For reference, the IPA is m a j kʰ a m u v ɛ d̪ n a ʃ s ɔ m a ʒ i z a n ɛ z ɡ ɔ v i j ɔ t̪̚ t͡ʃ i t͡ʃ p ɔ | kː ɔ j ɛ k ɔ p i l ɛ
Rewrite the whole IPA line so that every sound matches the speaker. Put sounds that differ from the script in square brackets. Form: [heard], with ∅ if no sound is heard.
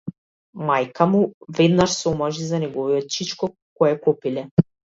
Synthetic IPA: m a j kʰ a m u v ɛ d̪ n a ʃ s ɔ m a ʒ i z a n ɛ [∅] ɡ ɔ v i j ɔ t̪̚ t͡ʃ i t͡ʃ [k] ɔ | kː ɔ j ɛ k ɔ p i l ɛ